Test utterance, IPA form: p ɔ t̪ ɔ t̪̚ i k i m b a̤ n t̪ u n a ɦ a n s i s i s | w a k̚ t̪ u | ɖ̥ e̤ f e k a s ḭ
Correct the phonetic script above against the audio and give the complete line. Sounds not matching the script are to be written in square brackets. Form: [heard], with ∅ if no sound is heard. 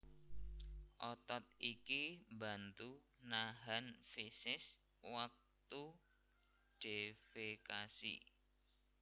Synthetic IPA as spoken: [ʔ] ɔ t̪ ɔ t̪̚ i k i m b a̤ n t̪ u n a ɦ a n [f] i s [ɪ] s | w a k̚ t̪ u | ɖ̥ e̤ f e k a s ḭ